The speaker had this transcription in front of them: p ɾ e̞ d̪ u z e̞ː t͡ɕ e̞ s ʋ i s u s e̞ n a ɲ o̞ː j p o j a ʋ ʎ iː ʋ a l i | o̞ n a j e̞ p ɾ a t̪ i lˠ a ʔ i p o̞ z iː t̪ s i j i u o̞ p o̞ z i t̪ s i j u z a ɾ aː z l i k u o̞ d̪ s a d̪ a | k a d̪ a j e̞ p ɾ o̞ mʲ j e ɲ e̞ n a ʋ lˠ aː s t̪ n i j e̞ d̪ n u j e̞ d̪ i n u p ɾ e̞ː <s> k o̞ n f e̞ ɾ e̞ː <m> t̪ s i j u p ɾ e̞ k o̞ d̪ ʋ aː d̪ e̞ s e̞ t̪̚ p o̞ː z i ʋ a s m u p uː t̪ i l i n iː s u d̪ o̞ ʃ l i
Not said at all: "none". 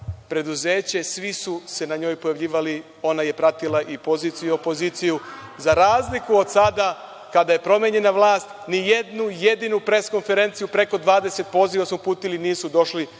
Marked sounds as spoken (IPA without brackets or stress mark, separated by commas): s, n